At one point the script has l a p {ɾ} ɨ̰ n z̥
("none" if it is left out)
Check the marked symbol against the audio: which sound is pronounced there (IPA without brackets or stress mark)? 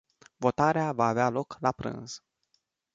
ɾ